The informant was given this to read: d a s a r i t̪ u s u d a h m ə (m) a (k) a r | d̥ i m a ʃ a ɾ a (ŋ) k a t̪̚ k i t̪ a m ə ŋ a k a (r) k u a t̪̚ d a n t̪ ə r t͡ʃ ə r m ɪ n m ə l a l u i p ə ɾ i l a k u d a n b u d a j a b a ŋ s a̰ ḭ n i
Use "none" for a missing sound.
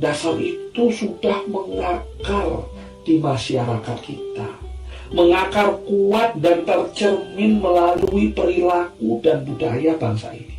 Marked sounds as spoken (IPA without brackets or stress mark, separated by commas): ŋ, k, none, r